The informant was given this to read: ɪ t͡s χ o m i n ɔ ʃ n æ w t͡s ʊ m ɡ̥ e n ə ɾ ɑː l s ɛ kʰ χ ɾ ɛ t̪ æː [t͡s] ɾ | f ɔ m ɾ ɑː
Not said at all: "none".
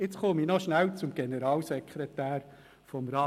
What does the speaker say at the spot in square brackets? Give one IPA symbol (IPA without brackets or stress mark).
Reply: none